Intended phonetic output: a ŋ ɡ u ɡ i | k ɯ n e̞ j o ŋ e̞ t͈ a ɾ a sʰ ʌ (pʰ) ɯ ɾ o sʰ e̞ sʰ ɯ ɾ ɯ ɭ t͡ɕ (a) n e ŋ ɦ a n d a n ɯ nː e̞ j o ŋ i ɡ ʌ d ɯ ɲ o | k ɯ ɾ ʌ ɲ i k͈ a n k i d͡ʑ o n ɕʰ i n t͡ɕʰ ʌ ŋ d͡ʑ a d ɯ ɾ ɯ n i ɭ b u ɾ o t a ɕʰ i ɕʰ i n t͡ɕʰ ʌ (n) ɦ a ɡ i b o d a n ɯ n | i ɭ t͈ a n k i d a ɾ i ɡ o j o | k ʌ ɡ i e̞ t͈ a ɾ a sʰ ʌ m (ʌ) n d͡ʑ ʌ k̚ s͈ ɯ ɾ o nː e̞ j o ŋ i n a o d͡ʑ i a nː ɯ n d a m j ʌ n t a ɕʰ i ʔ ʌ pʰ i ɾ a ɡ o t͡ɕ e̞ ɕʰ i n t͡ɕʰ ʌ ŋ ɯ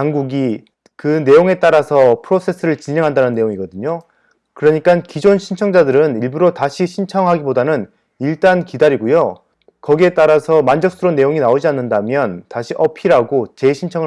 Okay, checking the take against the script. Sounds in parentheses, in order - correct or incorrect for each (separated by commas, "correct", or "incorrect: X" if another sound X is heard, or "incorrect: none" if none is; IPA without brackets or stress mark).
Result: correct, incorrect: i, incorrect: ŋ, incorrect: a